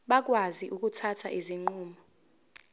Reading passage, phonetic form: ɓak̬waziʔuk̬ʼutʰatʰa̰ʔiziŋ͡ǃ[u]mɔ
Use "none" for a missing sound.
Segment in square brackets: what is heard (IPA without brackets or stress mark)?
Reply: uː